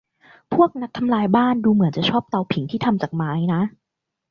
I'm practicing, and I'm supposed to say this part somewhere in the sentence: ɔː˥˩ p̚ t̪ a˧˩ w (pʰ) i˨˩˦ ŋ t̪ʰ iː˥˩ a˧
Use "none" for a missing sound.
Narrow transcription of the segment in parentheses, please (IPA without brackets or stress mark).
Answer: pʰ